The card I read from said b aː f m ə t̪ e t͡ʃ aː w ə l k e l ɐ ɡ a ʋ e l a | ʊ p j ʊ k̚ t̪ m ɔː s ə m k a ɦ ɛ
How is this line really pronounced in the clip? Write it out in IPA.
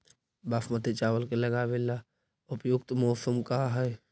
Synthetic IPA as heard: b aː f m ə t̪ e t͡ʃ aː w ə l k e l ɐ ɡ a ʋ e l a | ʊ p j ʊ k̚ t̪ m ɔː s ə m k a ɦ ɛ